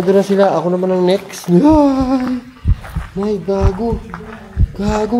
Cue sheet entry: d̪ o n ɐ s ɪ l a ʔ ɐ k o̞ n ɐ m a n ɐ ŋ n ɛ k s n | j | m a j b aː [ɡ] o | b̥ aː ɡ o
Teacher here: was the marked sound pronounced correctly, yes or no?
yes